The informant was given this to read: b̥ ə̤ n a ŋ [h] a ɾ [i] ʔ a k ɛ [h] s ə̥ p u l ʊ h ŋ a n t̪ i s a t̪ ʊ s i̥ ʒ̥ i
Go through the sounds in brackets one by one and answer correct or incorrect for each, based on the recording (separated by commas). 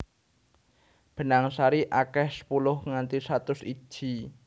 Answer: incorrect, correct, correct